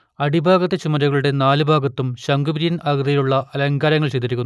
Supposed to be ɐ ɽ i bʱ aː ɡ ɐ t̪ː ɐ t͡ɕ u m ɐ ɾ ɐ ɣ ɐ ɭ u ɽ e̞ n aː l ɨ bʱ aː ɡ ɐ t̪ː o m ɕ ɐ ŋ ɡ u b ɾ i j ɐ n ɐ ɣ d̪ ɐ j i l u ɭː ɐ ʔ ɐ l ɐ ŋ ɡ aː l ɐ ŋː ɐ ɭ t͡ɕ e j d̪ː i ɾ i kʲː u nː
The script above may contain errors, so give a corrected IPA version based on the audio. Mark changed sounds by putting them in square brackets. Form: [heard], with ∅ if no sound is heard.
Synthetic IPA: ɐ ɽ i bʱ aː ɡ ɐ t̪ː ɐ t͡ɕ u m ɐ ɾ ɐ ɣ ɐ ɭ u ɽ e̞ n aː l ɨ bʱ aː ɡ ɐ t̪ː [u] m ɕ ɐ ŋ ɡ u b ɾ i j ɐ n ɐ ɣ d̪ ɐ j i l u ɭː ɐ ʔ ɐ l ɐ ŋ ɡ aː [ɾ] ɐ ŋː ɐ ɭ t͡ɕ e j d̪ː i ɾ i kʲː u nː